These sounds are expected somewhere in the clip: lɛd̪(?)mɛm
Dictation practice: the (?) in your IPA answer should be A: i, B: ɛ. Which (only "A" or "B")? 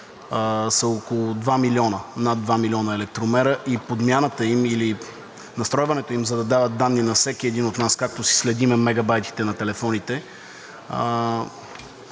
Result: A